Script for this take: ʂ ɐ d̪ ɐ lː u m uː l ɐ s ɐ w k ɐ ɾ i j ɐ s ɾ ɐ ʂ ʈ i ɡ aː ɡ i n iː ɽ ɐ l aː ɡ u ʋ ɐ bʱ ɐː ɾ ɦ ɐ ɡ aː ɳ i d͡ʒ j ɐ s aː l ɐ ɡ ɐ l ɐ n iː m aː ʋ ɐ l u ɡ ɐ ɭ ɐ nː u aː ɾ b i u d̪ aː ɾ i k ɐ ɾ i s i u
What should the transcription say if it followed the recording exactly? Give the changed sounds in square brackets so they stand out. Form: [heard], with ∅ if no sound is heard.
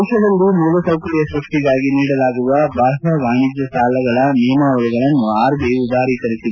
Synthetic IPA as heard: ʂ ɐ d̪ ɐ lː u m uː l ɐ s ɐ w k ɐ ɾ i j ɐ s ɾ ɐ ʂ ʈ i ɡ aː ɡ i n iː ɽ ɐ l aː ɡ u ʋ ɐ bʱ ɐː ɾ ɦ ɐ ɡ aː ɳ i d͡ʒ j ɐ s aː l ɐ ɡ ɐ [ɭ] ɐ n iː m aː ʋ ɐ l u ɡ ɐ ɭ ɐ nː u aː ɾ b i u d̪ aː ɾ i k ɐ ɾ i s i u